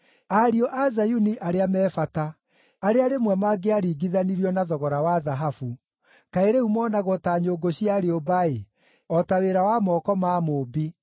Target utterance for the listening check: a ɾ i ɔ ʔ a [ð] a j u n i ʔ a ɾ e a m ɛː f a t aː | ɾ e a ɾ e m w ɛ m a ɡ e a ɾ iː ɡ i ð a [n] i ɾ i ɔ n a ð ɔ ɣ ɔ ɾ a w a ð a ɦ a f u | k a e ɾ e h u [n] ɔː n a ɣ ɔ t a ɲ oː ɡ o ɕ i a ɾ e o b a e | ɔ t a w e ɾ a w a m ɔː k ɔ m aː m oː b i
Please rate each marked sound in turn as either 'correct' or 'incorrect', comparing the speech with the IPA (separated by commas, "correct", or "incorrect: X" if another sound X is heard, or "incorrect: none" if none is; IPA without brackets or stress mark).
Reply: incorrect: z, correct, incorrect: m